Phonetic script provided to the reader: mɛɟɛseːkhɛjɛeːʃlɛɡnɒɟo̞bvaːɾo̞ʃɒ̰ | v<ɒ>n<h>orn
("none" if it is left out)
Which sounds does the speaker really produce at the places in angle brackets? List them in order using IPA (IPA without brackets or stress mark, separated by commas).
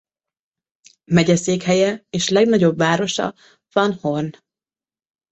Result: ɒ, h